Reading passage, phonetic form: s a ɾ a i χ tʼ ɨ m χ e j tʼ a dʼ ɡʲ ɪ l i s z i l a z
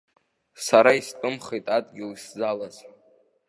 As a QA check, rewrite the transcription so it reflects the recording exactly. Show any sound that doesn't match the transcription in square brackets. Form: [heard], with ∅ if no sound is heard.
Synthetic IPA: s a ɾ a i [s] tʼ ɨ m χ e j tʼ a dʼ ɡʲ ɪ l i s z [a] l a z